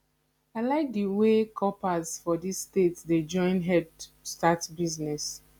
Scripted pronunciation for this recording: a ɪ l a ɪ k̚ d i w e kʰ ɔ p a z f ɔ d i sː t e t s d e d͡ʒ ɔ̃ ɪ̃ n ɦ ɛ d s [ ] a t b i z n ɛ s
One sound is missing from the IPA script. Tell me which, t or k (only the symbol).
t